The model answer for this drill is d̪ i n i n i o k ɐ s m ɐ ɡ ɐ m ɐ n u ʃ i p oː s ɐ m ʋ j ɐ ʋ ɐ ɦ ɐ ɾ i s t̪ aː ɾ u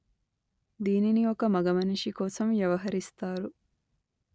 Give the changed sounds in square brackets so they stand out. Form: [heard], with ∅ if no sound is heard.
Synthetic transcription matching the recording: d̪ [iː] n i n i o k ɐ [∅] m ɐ ɡ ɐ m ɐ n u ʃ i [k] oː s ɐ m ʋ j ɐ ʋ ɐ ɦ ɐ ɾ i s t̪ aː ɾ u